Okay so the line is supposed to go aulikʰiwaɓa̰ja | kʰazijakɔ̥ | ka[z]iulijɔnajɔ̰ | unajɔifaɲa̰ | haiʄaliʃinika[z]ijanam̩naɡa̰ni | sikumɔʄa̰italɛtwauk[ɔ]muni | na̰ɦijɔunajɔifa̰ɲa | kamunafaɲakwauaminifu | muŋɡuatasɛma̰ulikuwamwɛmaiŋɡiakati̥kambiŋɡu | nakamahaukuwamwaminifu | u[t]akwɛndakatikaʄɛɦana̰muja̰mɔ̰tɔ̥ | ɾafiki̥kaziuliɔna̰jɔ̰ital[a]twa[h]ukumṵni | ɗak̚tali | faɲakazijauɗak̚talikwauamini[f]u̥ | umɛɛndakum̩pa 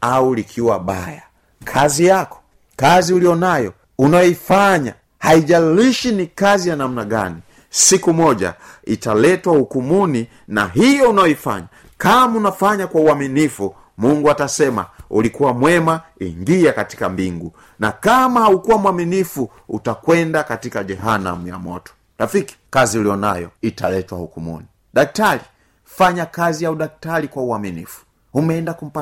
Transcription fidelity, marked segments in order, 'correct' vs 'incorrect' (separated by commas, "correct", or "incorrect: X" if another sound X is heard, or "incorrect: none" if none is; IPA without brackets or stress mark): correct, correct, incorrect: u, correct, incorrect: ɛ, correct, correct